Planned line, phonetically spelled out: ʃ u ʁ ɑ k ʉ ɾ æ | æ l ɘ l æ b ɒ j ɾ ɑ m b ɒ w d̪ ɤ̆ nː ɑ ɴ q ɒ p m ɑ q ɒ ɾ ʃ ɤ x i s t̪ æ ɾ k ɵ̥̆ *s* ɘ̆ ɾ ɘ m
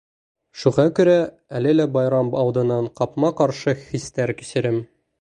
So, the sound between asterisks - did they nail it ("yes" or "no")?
yes